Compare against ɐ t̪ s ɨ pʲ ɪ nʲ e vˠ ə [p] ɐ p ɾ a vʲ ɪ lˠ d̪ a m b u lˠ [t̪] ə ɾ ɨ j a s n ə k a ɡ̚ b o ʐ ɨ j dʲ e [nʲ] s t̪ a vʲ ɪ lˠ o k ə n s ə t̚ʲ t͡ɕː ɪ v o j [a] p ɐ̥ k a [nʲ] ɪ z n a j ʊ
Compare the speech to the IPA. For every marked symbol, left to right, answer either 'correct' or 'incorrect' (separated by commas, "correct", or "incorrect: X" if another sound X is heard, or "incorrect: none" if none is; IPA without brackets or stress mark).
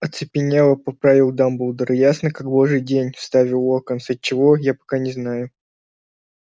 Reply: correct, incorrect: d̪, correct, correct, correct